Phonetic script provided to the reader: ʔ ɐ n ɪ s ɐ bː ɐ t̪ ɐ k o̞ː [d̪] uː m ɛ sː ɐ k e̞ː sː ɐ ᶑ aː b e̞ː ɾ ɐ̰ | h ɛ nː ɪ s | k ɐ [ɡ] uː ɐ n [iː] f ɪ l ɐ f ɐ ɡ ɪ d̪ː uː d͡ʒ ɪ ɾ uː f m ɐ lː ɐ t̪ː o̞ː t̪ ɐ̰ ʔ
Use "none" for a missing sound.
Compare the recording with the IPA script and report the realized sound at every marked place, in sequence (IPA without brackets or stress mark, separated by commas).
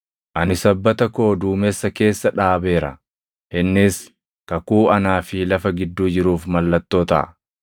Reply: d̪, k, aː